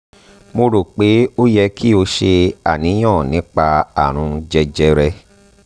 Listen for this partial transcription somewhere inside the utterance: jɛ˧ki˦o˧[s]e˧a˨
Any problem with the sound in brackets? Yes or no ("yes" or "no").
yes